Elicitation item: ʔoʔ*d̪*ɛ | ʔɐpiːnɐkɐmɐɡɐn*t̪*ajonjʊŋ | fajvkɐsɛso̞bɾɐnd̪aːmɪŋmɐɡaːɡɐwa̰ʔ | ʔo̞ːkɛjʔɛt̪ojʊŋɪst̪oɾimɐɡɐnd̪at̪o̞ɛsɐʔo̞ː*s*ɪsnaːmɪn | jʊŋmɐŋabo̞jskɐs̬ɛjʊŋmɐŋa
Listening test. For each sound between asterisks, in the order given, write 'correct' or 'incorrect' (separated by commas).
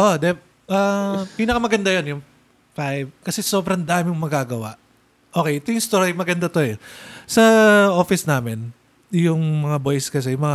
correct, incorrect, incorrect